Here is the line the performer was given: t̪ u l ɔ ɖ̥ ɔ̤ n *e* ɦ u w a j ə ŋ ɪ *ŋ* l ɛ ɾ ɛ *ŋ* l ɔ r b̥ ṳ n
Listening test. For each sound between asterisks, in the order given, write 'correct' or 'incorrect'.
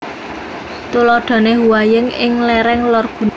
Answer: correct, correct, correct

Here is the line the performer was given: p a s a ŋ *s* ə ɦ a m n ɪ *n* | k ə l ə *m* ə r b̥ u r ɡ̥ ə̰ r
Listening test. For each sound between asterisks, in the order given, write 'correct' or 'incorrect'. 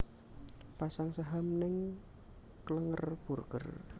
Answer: correct, incorrect, incorrect

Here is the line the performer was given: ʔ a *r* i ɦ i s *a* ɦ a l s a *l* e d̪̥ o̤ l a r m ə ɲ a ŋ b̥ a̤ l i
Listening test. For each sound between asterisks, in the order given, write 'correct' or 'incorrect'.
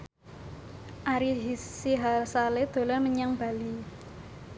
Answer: incorrect, incorrect, correct

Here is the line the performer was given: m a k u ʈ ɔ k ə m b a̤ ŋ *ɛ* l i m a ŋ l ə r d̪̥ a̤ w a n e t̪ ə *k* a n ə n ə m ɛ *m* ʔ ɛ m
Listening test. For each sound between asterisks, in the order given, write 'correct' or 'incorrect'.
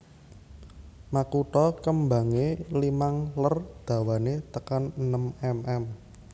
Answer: incorrect, correct, correct

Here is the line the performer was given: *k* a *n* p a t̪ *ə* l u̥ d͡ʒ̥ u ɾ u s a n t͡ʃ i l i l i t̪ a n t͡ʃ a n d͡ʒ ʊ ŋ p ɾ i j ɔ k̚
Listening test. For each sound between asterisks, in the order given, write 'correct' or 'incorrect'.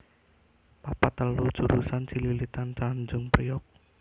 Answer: incorrect, incorrect, correct

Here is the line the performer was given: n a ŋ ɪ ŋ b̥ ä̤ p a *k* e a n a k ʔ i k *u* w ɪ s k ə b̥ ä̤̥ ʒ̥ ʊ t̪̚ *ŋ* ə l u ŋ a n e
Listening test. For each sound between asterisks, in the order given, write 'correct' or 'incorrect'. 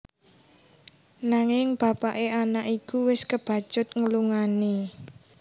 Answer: incorrect, correct, correct

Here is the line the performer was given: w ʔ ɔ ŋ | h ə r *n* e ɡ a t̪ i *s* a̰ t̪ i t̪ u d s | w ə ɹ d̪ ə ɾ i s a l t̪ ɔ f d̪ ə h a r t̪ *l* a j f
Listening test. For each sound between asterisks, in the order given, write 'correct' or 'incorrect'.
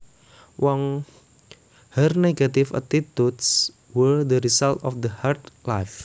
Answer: correct, incorrect, correct

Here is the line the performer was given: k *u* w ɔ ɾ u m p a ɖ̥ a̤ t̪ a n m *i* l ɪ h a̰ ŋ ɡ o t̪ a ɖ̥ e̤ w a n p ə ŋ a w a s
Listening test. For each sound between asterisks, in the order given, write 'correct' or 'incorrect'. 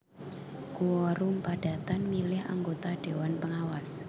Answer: correct, correct

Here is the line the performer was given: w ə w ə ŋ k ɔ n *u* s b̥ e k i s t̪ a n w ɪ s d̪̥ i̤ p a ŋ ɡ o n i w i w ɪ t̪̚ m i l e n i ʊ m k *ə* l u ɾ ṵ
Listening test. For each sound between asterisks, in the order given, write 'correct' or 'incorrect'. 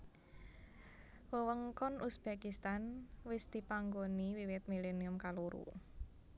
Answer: correct, incorrect

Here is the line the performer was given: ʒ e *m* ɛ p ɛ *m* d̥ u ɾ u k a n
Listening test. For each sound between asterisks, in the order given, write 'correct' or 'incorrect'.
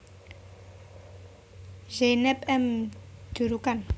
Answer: incorrect, correct

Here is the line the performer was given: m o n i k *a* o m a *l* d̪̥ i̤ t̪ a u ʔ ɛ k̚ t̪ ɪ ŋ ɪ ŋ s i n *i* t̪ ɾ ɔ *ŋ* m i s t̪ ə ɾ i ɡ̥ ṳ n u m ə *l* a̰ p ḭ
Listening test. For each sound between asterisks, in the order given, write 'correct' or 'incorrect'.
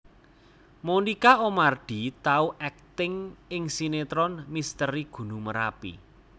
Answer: correct, incorrect, incorrect, incorrect, incorrect

